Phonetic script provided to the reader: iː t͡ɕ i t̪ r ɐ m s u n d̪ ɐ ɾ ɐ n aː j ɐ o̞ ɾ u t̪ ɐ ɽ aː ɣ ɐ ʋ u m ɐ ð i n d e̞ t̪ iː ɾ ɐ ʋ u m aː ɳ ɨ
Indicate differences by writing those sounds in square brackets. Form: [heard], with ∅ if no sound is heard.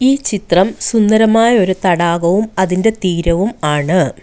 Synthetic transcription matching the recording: iː t͡ɕ i t̪ r ɐ m s u n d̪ ɐ ɾ ɐ [m] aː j ɐ o̞ ɾ u t̪ ɐ ɽ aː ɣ ɐ ʋ u m ɐ ð i n d e̞ t̪ iː ɾ ɐ ʋ u m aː ɳ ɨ